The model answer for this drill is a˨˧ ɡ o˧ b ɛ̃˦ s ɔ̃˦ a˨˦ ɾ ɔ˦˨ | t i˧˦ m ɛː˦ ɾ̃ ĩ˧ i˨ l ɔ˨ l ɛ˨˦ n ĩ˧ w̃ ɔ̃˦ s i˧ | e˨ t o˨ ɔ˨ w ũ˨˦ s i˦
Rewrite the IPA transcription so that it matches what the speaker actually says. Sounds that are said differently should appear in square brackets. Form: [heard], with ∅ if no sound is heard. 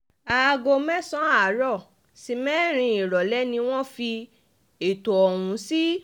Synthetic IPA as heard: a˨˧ ɡ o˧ [m] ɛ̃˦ s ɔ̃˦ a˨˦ ɾ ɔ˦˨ | [s] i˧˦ m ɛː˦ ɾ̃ ĩ˧ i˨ [ɾ] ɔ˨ l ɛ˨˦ n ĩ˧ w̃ ɔ̃˦ [f] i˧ | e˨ t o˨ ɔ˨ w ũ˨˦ s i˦

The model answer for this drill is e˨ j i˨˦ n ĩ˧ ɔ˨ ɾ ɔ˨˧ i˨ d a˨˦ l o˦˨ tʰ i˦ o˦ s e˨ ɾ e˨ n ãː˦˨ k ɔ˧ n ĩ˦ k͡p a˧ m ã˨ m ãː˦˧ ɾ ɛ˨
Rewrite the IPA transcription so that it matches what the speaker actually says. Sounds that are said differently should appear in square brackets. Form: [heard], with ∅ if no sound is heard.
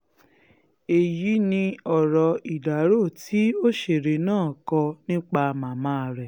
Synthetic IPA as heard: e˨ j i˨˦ n ĩ˧ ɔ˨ ɾ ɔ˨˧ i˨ d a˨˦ [ɾ] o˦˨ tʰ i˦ o˦ [ʃ] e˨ ɾ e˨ n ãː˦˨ k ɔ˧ n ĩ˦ k͡p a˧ m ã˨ m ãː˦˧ ɾ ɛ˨

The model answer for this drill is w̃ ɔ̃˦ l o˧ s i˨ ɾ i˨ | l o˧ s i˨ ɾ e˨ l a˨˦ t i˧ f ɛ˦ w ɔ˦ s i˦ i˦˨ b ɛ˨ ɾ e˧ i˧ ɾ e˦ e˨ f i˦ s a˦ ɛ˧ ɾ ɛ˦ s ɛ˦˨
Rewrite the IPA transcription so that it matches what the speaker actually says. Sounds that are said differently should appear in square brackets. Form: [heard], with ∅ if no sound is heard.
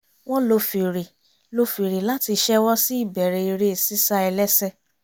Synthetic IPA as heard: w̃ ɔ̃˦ l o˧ [f] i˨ ɾ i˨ | l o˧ [f] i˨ ɾ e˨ l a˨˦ t i˧ [ʃ] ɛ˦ w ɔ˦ s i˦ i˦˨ b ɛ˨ ɾ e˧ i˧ ɾ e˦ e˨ [s] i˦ s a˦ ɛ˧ [l] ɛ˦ s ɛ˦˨

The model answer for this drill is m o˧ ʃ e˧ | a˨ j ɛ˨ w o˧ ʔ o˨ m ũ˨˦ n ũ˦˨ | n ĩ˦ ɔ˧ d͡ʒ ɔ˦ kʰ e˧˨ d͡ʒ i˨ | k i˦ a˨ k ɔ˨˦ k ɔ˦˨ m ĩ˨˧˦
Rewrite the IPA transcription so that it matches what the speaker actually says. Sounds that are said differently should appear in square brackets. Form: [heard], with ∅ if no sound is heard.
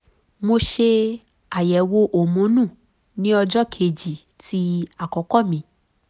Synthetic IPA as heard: m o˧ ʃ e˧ | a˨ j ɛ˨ w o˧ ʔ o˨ m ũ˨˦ n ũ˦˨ | n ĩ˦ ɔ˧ d͡ʒ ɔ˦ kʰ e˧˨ d͡ʒ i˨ | [t] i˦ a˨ k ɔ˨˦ k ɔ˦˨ m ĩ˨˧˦

